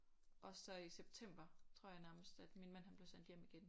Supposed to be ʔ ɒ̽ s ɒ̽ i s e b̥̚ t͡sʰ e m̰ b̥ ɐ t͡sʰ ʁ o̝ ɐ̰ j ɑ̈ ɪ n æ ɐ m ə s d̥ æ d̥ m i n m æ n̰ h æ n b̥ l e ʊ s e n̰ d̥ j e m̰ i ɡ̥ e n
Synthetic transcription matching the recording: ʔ ɒ̽ s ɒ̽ i s e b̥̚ t͡sʰ e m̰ b̥ ɐ t͡sʰ ʁ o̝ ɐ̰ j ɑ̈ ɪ n æ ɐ m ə s d̥ æ d̥ m i n m æ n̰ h æ n b̥ l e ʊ s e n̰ d̥ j e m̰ i ɡ̥ e n